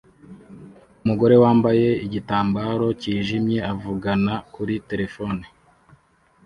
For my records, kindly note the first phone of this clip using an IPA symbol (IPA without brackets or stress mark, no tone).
u